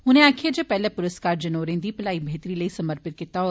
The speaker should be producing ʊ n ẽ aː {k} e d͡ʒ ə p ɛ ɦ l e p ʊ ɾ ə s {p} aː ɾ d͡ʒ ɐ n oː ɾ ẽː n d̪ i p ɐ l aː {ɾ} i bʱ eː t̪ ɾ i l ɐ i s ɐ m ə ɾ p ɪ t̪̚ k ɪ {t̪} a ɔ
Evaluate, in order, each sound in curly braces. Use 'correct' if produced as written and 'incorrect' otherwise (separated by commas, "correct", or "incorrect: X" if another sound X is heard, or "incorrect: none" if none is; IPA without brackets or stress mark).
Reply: incorrect: kʰ, incorrect: k, incorrect: none, correct